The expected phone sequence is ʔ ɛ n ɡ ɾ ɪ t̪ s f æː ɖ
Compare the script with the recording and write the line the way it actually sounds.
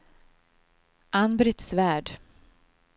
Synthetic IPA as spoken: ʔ a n b ɾ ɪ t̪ s v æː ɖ